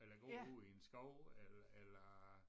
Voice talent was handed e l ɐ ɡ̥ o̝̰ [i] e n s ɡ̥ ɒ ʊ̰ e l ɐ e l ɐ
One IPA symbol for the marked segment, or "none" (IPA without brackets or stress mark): i